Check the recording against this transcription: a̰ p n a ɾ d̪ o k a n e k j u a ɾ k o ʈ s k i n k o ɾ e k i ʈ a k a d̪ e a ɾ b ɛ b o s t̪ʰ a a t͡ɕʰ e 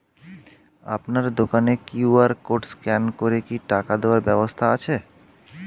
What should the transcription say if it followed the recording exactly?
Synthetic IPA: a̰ p n a ɾ d̪ o k a n e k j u a ɾ k o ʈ s k ɛ n k o ɾ e k i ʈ a k a d̪ e a ɾ b ɛ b o s t̪ʰ a a t͡ɕʰ e